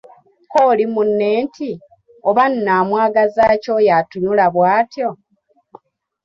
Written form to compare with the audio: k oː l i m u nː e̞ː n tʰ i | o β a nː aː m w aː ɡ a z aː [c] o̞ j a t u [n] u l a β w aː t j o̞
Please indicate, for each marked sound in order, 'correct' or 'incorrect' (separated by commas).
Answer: correct, incorrect